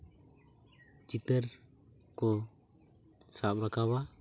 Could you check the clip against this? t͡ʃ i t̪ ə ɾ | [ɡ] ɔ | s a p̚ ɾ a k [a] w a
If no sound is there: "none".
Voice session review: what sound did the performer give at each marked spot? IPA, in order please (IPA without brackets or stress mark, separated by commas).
k, a